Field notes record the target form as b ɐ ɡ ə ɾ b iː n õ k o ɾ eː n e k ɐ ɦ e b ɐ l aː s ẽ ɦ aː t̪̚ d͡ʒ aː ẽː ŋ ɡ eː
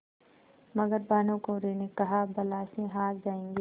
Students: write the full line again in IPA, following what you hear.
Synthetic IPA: m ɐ ɡ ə ɾ b aː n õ k o ɾ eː n e k ɐ ɦ a b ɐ l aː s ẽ ɦ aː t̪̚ d͡ʒ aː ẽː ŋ ɡ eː